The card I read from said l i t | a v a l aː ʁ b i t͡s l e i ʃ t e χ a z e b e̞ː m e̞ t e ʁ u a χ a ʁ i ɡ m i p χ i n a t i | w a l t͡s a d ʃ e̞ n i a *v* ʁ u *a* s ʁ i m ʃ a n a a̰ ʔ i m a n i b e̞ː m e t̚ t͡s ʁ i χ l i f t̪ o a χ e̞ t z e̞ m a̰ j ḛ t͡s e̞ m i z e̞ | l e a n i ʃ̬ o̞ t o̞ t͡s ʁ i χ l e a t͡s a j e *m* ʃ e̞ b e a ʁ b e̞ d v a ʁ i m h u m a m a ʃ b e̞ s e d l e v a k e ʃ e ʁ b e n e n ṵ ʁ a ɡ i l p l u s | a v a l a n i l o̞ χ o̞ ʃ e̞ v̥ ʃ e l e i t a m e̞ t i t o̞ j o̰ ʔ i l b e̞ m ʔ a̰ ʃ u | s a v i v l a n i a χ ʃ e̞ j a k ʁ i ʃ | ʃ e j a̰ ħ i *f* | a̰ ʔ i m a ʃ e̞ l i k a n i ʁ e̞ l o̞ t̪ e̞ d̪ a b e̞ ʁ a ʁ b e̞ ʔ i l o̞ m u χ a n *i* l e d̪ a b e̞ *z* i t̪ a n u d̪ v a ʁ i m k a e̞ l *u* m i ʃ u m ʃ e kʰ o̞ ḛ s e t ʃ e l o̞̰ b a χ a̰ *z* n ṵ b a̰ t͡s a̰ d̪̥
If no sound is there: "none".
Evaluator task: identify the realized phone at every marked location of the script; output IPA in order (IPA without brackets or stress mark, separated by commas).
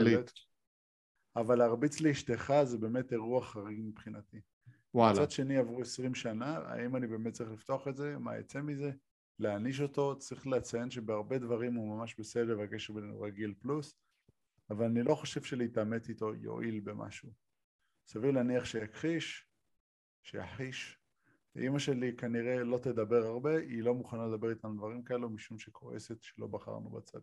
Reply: v, e, n, ʃ, a, ʁ, u, ʁ